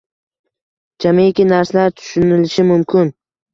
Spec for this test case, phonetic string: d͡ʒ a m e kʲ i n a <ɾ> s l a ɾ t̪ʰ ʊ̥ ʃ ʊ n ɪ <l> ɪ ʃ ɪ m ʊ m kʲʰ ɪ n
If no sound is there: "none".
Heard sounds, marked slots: ɾ, l

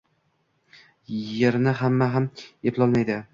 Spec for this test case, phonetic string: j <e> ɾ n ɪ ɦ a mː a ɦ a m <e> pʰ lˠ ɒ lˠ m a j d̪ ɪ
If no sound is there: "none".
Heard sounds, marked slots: e, e

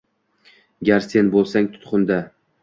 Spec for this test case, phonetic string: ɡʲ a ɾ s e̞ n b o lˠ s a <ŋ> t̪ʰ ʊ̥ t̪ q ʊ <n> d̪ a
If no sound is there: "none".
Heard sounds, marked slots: ŋ, n

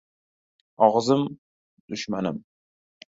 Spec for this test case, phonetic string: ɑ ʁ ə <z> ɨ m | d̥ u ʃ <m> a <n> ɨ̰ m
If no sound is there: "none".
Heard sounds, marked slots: z, m, n

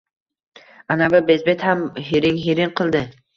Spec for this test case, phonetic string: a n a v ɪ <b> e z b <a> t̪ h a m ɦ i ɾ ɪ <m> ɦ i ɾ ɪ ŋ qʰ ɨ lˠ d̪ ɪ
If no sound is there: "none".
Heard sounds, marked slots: b, e, ŋ

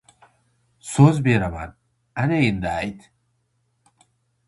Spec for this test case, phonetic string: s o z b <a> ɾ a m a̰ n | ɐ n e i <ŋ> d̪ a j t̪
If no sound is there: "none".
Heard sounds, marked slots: e, n

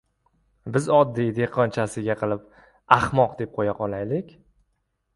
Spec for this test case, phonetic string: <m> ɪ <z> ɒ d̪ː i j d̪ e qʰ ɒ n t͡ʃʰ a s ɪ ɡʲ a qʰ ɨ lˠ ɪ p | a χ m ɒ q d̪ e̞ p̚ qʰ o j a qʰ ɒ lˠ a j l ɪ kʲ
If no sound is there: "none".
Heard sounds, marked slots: b, z

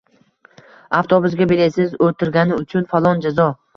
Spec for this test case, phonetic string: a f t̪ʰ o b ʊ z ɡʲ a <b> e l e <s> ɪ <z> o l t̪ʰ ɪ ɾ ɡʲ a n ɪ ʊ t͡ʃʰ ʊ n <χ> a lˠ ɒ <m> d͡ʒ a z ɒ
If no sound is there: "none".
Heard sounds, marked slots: b, s, z, f, n

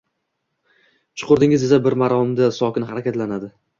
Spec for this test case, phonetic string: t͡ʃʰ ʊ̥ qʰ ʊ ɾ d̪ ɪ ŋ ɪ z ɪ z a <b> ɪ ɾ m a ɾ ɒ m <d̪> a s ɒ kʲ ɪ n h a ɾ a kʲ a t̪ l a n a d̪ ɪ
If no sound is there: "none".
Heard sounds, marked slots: b, d̪

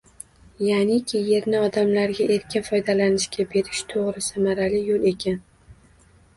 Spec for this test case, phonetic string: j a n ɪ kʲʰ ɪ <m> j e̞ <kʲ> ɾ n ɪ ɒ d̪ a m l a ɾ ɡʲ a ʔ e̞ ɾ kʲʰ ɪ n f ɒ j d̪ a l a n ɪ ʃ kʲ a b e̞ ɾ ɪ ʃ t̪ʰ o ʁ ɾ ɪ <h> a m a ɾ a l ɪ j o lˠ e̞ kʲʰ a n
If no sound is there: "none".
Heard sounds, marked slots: none, none, s

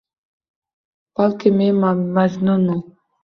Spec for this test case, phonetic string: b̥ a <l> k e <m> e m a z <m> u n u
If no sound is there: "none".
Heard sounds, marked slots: l, m, n

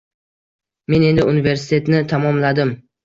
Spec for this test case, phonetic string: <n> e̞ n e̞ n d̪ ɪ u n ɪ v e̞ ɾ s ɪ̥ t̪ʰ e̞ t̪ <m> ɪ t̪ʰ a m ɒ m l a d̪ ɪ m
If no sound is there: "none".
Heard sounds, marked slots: m, n

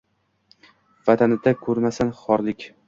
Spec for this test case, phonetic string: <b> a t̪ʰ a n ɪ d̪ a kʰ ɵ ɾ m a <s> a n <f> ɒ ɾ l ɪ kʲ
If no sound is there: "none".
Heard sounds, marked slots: v, s, χ

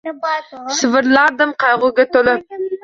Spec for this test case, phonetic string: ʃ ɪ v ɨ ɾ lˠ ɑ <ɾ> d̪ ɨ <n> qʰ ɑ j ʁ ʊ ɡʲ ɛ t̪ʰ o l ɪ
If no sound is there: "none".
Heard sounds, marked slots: ɾ, m

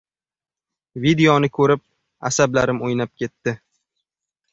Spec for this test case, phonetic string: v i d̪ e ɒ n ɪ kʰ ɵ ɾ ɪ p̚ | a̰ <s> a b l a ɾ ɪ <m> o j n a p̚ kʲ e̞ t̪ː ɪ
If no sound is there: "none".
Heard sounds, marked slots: s, m

